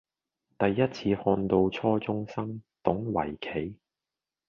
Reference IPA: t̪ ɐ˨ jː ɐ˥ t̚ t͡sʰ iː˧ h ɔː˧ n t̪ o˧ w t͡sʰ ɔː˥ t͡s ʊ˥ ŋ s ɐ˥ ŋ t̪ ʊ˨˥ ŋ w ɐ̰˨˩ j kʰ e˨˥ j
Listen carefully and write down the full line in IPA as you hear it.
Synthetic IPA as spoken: t̪ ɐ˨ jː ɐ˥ t̚ t͡sʰ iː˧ h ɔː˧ n t̪ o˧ w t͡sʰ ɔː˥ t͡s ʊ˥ ŋ s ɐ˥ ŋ t̪ ʊ˨˥ ŋ w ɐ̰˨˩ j kʰ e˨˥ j